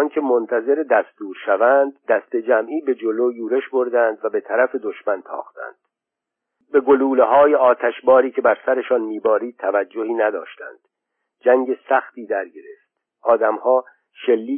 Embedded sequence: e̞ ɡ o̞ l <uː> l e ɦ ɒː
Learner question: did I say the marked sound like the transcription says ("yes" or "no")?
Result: yes